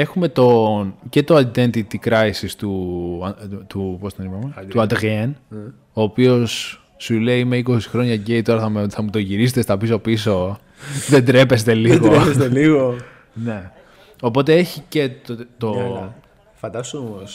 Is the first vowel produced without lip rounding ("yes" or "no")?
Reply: yes